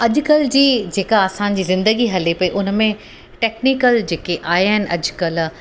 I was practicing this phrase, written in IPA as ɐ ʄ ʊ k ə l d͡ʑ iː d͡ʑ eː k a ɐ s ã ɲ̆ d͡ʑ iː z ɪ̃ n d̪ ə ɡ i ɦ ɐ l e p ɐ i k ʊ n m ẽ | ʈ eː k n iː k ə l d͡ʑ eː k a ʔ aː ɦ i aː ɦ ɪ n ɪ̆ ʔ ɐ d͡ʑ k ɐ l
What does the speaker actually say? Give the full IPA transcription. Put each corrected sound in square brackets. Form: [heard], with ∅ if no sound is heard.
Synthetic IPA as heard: ɐ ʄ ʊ k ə l d͡ʑ iː d͡ʑ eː k a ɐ s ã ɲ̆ d͡ʑ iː z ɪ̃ n d̪ ə ɡ i ɦ ɐ l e p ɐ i [ʔ] ʊ n m ẽ | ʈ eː k n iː k ə l d͡ʑ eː k [e] ʔ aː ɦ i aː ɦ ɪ n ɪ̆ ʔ ɐ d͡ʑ k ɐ l